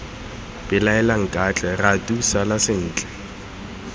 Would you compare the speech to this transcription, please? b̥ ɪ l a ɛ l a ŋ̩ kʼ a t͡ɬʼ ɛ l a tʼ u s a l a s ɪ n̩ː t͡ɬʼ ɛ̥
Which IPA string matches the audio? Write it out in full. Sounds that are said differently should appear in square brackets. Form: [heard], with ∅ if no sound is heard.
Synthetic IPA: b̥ ɪ l a ɛ l a ŋ̩ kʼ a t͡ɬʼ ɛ [r] a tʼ u s a l a s ɪ n̩ː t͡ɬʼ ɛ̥